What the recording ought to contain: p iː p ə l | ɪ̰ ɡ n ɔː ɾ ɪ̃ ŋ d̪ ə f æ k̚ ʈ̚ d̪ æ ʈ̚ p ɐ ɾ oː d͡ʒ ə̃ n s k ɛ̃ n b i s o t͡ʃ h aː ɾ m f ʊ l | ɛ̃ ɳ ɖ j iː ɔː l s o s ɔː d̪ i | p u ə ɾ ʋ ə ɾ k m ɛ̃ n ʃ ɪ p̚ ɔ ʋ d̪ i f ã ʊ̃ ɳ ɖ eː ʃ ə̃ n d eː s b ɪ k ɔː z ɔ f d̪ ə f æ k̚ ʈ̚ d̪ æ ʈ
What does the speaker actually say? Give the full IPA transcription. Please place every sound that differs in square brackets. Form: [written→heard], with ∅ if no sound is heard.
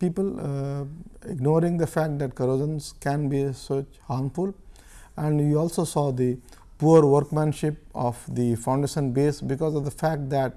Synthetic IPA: p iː p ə l | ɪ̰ ɡ n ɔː ɾ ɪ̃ ŋ d̪ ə f æ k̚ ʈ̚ d̪ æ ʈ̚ [p→k] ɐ ɾ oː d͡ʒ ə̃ n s k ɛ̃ n b i s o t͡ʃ h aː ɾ m f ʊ l | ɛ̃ ɳ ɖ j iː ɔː l s o s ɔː d̪ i | p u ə ɾ ʋ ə ɾ k m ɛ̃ n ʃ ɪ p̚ ɔ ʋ d̪ i f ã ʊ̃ ɳ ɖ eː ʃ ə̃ n [d→b] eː s b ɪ k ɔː z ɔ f d̪ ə f æ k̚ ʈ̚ d̪ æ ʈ